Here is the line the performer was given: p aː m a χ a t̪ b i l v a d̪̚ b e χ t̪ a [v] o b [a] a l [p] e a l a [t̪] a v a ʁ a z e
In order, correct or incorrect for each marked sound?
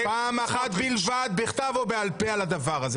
correct, incorrect: e, correct, incorrect: d̪

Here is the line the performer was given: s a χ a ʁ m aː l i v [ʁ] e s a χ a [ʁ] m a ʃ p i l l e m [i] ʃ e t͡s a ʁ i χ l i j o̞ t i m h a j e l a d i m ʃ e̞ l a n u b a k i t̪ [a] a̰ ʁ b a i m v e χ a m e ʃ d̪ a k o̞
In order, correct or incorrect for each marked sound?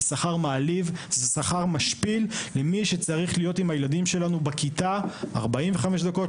incorrect: z, correct, correct, correct

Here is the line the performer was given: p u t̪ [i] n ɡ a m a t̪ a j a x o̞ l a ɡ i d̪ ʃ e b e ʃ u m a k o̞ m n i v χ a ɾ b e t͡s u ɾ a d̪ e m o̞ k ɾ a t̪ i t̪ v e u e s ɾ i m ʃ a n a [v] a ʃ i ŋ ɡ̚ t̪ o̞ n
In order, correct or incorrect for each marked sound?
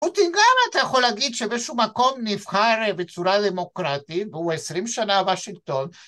correct, correct

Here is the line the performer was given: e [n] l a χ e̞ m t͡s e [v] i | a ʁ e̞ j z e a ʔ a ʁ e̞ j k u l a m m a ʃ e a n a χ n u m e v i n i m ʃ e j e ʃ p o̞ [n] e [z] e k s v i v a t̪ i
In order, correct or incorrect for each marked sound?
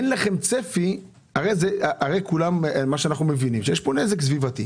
correct, incorrect: f, correct, correct

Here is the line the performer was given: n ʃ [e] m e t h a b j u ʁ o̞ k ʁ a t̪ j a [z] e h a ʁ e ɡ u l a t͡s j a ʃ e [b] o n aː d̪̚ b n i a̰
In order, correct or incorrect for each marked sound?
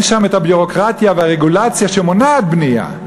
incorrect: a, incorrect: v, incorrect: m

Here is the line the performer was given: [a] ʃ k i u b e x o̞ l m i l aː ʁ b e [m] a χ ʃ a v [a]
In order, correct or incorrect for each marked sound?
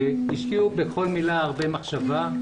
incorrect: i, correct, correct

